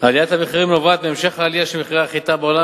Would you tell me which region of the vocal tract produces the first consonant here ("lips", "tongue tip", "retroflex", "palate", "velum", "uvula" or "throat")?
tongue tip